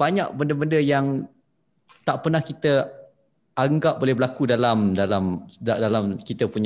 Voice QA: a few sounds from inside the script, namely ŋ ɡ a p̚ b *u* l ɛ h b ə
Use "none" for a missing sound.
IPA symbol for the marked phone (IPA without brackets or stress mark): o